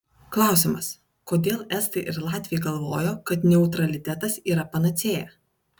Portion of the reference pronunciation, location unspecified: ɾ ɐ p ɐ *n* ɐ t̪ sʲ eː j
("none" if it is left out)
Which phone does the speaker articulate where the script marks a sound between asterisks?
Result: n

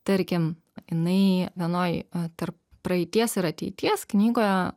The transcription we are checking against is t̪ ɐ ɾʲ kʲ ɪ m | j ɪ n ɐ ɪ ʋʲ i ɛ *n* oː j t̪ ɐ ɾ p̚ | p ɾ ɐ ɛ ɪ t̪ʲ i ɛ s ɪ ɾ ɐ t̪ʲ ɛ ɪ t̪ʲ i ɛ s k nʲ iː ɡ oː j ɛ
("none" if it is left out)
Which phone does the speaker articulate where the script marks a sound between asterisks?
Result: n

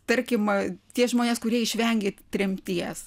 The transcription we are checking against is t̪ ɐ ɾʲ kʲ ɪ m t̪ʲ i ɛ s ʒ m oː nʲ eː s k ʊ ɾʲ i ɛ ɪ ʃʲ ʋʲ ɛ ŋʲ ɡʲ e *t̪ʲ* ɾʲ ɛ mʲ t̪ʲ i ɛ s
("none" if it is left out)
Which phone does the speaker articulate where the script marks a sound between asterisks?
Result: t̪ʲ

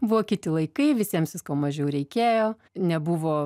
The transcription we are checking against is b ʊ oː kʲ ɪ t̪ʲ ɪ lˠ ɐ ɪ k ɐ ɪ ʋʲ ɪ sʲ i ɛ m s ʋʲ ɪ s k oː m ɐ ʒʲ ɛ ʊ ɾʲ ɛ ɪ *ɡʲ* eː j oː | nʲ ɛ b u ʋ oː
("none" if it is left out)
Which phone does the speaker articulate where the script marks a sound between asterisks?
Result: kʲ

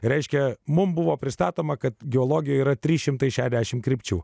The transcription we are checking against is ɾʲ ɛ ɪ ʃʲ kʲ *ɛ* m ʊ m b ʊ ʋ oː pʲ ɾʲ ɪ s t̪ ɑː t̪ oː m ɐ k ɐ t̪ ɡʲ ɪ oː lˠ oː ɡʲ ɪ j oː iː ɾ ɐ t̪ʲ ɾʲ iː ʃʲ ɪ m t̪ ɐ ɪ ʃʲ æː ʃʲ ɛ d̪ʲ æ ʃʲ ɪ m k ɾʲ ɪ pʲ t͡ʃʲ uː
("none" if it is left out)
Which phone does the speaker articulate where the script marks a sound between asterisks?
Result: ɛ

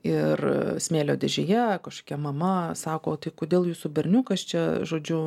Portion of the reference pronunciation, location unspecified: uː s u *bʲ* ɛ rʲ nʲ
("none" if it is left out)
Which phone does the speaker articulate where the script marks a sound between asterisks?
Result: bʲ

